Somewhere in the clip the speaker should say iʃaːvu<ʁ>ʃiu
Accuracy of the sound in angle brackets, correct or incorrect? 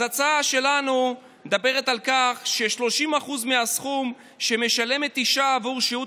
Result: correct